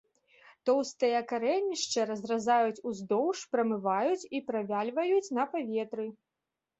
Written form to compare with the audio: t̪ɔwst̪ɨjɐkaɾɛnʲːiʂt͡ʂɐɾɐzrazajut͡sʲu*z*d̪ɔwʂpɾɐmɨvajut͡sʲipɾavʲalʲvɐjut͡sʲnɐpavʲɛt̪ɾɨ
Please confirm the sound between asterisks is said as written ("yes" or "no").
yes